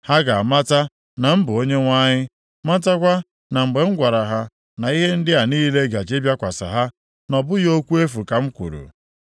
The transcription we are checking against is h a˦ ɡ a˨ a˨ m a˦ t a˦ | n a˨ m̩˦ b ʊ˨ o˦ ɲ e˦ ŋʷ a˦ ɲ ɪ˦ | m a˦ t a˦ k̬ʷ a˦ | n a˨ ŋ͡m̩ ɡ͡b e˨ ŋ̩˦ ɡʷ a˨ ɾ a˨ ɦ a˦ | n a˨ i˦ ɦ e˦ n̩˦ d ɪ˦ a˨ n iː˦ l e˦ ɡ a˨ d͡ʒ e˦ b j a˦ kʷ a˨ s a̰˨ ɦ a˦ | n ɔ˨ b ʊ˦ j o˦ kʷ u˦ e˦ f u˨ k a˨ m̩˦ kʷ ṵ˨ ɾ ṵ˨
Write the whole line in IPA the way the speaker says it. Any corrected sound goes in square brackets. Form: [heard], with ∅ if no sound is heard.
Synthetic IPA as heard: h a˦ ɡ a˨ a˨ m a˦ t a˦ | n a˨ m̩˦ b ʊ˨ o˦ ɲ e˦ ŋʷ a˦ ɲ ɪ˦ | m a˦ t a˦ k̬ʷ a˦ | n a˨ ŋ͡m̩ ɡ͡b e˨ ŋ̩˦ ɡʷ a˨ ɾ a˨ ɦ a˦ | n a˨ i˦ ɦ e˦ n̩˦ d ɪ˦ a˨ n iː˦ l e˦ ɡ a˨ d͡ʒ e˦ b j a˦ kʷ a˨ s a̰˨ ɦ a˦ | n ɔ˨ b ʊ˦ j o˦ kʷ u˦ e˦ f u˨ k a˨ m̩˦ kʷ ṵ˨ ɾ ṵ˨